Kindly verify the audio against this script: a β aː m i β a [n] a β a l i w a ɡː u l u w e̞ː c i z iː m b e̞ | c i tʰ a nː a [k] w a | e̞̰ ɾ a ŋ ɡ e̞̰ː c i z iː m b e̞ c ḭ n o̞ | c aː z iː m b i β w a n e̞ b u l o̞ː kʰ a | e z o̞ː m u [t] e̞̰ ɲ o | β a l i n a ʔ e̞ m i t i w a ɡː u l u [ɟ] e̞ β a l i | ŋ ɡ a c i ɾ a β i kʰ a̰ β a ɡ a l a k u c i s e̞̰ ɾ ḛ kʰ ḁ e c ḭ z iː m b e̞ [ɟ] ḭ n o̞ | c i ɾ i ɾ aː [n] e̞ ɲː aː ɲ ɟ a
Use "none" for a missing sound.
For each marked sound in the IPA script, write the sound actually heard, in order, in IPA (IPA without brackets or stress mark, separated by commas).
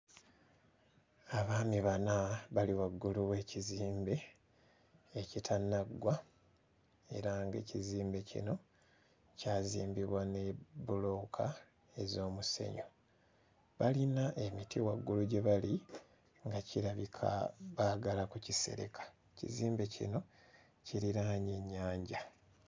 n, ɡ, s, ɟ, c, ɲ